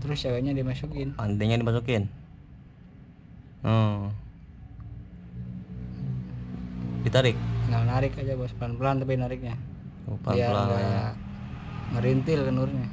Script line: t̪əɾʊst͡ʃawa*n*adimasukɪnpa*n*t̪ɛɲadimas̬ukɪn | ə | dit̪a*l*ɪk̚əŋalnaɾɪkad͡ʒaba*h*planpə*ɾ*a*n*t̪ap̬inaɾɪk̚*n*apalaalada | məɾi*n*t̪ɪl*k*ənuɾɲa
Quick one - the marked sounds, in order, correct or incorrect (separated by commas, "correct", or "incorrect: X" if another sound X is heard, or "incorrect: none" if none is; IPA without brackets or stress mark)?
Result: incorrect: ɲ, correct, incorrect: ɾ, incorrect: s, incorrect: l, correct, incorrect: ɲ, correct, correct